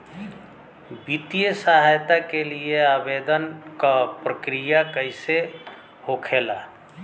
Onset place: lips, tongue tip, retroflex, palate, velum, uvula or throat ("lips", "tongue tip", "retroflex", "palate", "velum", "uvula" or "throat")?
lips